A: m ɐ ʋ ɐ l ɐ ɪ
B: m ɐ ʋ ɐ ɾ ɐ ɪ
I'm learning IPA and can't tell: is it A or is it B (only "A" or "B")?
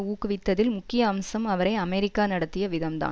B